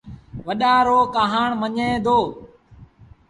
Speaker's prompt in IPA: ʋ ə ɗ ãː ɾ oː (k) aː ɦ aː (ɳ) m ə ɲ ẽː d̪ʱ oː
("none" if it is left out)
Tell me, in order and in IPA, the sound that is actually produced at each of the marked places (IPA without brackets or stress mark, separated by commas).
k, ɳ